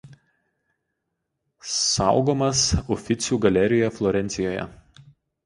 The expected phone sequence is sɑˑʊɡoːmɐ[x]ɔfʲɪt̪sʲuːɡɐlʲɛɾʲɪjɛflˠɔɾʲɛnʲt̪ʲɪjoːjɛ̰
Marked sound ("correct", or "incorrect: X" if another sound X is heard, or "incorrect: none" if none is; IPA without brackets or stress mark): incorrect: s